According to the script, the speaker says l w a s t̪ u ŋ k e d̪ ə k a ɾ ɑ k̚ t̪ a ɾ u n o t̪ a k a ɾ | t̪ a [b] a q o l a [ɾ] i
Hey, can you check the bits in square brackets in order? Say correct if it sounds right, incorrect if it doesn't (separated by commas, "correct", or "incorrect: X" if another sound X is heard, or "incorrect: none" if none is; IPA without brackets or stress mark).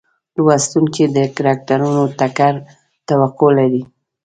incorrect: w, correct